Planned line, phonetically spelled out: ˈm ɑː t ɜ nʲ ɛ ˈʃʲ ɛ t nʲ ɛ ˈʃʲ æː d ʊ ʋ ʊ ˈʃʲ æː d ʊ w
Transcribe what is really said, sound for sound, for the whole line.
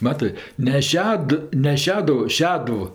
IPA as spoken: ˈm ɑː t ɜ nʲ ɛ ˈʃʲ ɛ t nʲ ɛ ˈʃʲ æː d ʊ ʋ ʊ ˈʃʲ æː d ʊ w